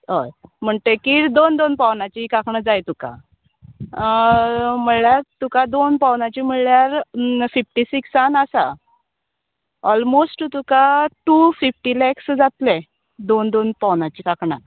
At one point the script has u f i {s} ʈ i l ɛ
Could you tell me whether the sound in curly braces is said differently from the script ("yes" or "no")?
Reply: yes